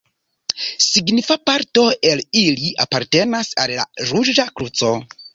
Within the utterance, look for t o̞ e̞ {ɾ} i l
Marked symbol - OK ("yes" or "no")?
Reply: no